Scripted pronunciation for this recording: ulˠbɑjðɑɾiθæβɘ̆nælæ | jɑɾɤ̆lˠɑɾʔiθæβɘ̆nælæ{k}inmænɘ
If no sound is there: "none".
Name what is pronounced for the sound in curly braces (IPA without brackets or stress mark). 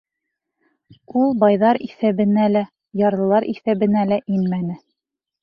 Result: ʔ